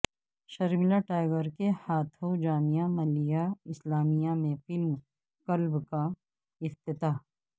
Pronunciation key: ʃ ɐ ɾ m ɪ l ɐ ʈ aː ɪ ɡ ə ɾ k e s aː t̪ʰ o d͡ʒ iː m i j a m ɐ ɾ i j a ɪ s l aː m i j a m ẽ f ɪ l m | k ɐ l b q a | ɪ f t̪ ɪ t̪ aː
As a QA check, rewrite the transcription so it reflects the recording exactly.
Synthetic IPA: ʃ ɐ ɾ m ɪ l a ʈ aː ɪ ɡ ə ɾ k e h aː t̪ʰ o d͡ʒ aː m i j a m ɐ l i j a ɪ s l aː m i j a m ẽ f ɪ l m | k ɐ l b k a | ɪ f t̪ ɪ t̪ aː